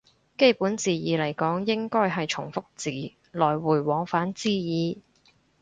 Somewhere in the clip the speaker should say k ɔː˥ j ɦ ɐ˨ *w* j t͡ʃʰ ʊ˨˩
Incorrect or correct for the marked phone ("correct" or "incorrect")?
incorrect